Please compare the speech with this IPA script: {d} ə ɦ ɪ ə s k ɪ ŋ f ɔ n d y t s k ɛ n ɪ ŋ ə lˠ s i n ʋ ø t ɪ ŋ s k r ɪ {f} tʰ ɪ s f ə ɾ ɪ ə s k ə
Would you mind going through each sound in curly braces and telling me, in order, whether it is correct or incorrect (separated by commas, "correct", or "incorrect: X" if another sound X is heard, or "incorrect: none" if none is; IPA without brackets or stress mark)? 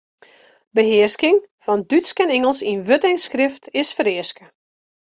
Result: incorrect: b, correct